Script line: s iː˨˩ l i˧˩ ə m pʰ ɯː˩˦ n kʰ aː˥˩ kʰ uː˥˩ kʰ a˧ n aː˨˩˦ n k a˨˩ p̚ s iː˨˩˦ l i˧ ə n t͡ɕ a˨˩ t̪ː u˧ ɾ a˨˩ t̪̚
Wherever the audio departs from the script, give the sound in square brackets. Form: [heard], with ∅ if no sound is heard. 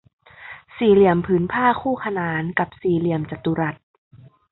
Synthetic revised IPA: s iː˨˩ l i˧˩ ə m pʰ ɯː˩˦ n [pʰ] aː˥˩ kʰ uː˥˩ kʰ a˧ n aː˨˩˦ n k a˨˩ p̚ s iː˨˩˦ l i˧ ə [m] t͡ɕ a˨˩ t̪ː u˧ ɾ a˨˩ t̪̚